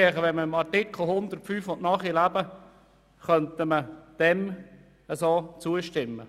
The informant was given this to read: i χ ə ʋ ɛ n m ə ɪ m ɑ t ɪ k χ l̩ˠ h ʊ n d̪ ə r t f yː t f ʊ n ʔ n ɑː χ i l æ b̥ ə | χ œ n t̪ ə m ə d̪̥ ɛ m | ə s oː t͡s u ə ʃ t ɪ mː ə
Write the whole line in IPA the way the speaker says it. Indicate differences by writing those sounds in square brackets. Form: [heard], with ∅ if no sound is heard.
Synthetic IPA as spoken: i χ ə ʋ ɛ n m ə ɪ m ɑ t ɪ k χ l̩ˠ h ʊ n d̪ ə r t f yː [∅] f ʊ n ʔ n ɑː χ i l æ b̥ ə | χ œ n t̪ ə m ə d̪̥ ɛ m | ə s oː t͡s u ə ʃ t ɪ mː ə